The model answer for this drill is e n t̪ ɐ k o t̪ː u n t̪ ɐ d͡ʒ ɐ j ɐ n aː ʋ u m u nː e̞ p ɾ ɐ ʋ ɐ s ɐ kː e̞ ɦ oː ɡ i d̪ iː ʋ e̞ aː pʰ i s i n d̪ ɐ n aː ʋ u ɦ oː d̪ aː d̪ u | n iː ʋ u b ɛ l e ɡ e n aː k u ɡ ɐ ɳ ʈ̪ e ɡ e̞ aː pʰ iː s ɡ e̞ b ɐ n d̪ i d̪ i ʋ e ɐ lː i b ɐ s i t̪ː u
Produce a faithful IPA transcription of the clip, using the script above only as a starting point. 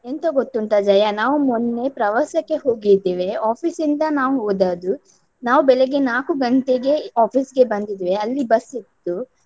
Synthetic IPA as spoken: e n t̪ ɐ ɡ o t̪ː u n t̪ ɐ d͡ʒ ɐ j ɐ n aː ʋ u m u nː e̞ p ɾ ɐ ʋ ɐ s ɐ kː e̞ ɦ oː ɡ i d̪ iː ʋ e̞ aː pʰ i s i n d̪ ɐ n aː ʋ u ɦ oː d̪ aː d̪ u | n aː ʋ u b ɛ l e ɡ e n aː k u ɡ ɐ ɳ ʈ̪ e ɡ e̞ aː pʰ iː s ɡ e̞ b ɐ n d̪ i d̪ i ʋ e ɐ lː i b ɐ s i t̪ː u